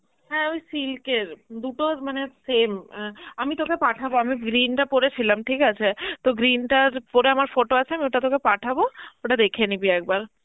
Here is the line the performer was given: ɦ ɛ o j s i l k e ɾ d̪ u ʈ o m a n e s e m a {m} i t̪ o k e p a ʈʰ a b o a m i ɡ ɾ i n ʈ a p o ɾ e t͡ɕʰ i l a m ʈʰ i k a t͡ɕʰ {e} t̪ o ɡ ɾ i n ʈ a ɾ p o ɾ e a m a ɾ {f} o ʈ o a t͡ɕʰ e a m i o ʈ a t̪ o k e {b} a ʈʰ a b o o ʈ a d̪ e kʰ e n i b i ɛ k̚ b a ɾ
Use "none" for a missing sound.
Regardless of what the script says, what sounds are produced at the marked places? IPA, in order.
m, e, f, p

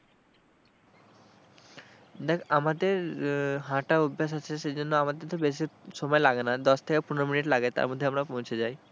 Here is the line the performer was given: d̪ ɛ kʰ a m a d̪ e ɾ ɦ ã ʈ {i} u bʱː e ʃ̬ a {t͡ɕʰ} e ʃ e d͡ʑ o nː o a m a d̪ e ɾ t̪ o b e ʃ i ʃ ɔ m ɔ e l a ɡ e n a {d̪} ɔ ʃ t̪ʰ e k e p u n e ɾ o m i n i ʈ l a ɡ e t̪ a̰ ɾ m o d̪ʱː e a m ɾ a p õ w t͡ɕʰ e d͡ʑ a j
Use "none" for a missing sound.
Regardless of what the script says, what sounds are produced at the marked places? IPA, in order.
a, t͡ɕʰ, d̪

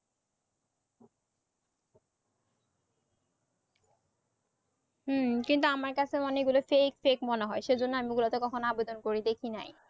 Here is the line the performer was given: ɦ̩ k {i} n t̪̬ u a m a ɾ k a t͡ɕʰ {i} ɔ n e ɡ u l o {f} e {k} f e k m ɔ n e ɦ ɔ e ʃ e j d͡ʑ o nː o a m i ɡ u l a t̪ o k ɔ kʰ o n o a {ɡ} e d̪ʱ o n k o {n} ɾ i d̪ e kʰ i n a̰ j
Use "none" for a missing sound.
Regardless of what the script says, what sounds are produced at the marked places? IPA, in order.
i, e, f, k, b, none

